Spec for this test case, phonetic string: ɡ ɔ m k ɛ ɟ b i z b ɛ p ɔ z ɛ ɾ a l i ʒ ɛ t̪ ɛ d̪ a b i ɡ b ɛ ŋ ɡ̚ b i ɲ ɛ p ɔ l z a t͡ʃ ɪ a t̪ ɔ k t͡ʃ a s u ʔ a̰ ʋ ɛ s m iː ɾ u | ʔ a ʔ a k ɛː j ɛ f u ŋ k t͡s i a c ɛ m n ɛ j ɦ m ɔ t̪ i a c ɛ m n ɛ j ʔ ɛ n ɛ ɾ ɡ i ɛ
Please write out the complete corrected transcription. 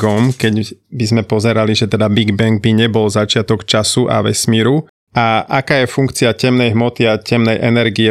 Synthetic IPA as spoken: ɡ ɔ m k ɛ ɟ b i z m ɛ p ɔ z ɛ ɾ a l i ʒ ɛ t̪ ɛ d̪ a b i ɡ b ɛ ŋ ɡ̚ b i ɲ ɛ b ɔ l z a t͡ʃ ɪ a t̪ ɔ k t͡ʃ a s u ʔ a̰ ʋ ɛ s m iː ɾ u | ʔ a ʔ a k aː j ɛ f u ŋ k t͡s i a c ɛ m n ɛ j ɦ m ɔ t̪ i a c ɛ m n ɛ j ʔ ɛ n ɛ ɾ ɡ i ɛ